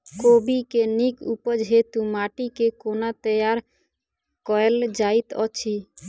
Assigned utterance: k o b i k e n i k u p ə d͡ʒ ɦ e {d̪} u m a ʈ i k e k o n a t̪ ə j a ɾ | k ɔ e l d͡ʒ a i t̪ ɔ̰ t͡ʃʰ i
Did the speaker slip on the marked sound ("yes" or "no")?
yes